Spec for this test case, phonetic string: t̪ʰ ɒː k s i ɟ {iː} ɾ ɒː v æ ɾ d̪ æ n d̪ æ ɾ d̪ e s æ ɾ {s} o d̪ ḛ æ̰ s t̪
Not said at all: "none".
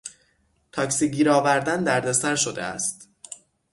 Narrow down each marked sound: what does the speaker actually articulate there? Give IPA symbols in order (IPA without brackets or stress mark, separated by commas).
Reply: iː, ʃ